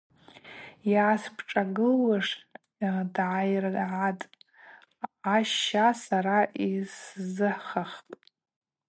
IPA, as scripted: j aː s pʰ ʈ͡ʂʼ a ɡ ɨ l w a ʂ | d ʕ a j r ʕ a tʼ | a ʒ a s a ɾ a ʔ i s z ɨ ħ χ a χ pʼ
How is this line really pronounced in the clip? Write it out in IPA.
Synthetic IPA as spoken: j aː s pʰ ʈ͡ʂʼ a ɡ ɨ l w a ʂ | d ʕ a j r ʕ a tʼ | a ʃ a s a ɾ a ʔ i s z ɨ ħ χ a χ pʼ